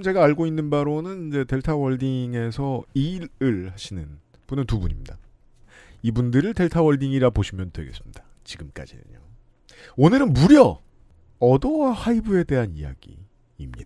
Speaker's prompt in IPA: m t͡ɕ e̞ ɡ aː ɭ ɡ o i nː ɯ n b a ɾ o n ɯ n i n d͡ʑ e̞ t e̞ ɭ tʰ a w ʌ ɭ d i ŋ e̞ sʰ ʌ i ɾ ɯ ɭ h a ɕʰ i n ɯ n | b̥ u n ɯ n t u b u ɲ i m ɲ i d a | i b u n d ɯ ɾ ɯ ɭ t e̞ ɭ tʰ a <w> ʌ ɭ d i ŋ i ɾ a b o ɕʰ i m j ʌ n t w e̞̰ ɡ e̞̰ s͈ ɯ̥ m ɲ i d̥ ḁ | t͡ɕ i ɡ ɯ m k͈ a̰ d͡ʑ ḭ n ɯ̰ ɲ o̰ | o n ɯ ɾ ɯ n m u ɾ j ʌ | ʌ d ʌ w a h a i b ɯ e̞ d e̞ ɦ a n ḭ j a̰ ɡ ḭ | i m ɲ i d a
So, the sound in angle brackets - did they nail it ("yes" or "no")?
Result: yes